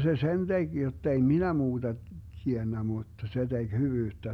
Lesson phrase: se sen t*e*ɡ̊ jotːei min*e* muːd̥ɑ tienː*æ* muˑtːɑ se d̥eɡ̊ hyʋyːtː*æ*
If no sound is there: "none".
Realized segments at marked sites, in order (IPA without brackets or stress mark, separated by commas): e, æ, æ, æ